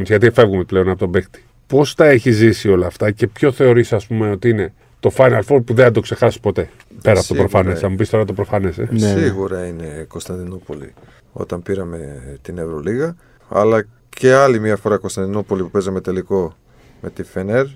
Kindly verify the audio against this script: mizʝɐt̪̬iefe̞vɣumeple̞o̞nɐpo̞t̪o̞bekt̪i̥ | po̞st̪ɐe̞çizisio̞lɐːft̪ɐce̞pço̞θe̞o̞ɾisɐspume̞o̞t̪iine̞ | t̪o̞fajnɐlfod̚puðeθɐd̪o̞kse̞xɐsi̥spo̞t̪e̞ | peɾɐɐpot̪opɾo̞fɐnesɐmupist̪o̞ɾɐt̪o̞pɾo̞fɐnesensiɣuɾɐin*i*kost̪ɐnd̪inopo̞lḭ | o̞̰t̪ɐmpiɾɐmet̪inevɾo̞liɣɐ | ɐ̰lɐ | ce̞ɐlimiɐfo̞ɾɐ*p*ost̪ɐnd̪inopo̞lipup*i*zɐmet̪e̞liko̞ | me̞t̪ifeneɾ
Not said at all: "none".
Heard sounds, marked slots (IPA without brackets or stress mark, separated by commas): e, k, e